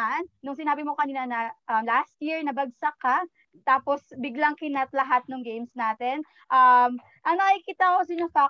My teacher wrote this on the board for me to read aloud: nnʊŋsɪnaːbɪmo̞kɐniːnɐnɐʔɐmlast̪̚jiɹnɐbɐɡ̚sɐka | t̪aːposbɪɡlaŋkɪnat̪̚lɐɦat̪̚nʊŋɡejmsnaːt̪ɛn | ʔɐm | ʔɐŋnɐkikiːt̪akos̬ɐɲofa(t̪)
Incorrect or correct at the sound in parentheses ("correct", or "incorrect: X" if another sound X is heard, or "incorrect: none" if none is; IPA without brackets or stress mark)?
incorrect: none